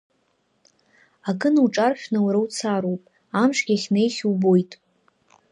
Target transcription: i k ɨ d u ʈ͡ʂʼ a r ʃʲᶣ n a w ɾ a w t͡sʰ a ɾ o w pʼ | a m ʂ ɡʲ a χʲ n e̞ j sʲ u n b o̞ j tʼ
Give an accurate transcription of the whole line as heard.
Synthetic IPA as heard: a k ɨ n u ʈ͡ʂʼ a r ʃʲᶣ n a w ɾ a w t͡sʰ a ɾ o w pʼ | a m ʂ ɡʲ a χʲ n e̞ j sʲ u b o̞ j tʼ